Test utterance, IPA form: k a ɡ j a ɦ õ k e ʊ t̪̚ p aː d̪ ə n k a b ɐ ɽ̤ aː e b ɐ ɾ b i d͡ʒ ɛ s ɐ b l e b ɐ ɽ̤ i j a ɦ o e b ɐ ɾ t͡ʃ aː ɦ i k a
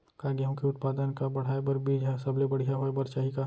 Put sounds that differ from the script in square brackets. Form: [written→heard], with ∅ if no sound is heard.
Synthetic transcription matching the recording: k a ɡ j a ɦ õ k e ʊ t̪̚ p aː d̪ ə n k a b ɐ ɽ̤ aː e b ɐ ɾ b i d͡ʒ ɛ s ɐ b l e b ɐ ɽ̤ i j a ɦ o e b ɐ ɾ t͡ʃ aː ɦ i k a